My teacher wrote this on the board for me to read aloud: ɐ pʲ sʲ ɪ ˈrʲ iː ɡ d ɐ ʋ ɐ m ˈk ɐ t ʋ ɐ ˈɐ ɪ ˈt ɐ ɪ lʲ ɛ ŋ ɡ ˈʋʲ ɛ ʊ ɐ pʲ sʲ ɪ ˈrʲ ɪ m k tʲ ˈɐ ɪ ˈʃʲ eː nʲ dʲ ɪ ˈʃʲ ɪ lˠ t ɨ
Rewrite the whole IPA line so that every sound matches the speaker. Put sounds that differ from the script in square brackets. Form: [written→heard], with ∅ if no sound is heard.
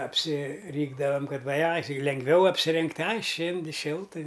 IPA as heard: ɐ pʲ sʲ ɪ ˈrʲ iː ɡ d ɐ ʋ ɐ m ˈk ɐ t ʋ ɐ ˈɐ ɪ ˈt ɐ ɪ lʲ ɛ ŋ ɡ ˈʋʲ ɛ ʊ ɐ pʲ sʲ ɪ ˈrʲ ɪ [m→ŋ] k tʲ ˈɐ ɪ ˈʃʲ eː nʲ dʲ ɪ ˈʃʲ ɪ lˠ t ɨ